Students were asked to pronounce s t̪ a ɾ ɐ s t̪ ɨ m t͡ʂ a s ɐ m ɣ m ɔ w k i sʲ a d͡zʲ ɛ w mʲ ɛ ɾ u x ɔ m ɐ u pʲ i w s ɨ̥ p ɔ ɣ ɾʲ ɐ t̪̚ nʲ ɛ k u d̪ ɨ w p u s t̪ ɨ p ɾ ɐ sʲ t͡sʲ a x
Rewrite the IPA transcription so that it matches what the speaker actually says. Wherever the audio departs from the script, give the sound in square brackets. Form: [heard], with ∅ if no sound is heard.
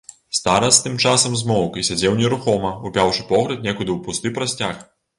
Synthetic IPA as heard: s t̪ a ɾ ɐ s t̪ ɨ m t͡ʂ a s ɐ m [z] m ɔ w k i sʲ a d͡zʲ ɛ w [nʲ] ɛ ɾ u x ɔ m ɐ u pʲ [a] w [ʂ] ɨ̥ p ɔ ɣ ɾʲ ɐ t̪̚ nʲ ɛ k u d̪ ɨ w p u s t̪ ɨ p ɾ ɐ sʲ t͡sʲ a x